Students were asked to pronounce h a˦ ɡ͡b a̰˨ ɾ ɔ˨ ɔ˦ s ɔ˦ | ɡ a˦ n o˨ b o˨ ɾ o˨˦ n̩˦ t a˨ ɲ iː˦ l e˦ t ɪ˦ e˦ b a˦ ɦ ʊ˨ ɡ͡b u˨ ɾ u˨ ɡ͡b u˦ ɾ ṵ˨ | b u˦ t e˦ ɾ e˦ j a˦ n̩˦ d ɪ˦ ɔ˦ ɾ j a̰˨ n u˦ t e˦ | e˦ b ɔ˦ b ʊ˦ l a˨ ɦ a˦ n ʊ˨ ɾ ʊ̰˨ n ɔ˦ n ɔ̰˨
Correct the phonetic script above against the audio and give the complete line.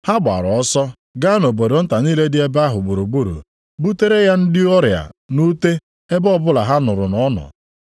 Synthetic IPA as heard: h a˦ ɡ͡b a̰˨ ɾ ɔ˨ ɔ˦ s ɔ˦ | ɡ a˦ n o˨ b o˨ ɾ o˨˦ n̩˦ t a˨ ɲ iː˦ l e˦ d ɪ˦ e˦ b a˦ ɦ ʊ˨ ɡ͡b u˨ ɾ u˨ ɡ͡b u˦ ɾ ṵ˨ | b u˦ t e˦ ɾ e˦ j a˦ n̩˦ d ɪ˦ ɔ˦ ɾ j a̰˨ n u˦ t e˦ | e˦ b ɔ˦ b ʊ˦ l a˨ ɦ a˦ n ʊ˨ ɾ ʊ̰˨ n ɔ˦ n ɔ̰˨